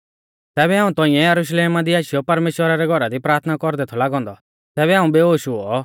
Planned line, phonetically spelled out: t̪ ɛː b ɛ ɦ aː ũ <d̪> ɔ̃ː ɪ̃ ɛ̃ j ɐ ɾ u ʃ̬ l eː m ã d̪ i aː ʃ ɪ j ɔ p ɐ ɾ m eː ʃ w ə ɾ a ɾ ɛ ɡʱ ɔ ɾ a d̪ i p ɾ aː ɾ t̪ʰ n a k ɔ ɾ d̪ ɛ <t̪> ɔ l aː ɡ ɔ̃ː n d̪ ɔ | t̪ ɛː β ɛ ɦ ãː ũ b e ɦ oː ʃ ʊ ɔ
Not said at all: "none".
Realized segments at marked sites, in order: t̪, t̪ʰ

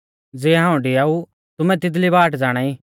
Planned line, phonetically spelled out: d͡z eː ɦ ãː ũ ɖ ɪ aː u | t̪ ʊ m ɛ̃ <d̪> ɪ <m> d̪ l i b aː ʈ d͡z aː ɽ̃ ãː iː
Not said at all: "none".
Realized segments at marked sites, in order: t̪, none

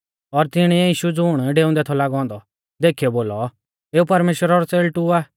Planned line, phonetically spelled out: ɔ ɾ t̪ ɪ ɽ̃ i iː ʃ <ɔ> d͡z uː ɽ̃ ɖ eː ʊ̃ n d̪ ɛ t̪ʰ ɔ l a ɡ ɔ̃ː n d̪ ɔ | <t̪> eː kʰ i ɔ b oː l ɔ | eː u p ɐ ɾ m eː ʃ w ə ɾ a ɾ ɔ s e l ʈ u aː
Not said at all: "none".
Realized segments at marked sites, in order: u, d̪

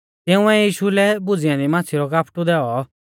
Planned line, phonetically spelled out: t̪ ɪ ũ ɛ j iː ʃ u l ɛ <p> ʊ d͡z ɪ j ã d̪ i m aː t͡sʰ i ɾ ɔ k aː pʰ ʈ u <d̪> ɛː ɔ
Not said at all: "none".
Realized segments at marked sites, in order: b, d̪

